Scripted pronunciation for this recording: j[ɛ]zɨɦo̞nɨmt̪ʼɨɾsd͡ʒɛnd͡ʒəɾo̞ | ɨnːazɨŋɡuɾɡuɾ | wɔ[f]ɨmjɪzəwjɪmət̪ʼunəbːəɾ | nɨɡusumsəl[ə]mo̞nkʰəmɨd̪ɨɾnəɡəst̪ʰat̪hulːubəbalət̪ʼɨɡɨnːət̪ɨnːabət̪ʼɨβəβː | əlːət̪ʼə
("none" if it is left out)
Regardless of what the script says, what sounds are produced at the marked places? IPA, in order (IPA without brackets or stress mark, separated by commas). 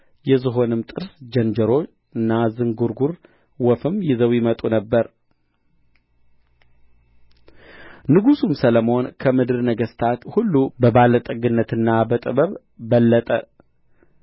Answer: ɛ, f, ə